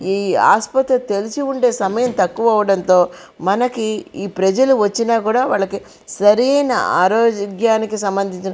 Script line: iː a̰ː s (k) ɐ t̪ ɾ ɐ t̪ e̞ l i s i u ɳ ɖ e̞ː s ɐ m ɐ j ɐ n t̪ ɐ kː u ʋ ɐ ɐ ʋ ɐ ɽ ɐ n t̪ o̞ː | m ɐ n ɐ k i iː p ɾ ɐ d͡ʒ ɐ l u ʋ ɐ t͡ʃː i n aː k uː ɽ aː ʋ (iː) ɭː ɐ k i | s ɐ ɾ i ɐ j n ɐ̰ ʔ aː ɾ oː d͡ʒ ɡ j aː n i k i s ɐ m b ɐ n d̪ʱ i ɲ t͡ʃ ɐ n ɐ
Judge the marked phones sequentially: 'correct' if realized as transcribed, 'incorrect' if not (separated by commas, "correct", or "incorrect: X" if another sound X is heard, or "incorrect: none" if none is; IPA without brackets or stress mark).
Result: incorrect: p, incorrect: aː